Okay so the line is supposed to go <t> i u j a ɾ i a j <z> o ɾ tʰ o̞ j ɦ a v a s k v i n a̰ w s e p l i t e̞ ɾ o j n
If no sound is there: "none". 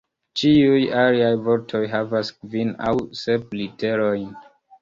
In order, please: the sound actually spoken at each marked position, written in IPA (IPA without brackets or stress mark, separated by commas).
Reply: t͡ʃ, v